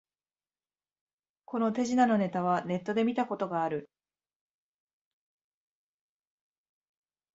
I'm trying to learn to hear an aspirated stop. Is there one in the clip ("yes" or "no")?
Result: no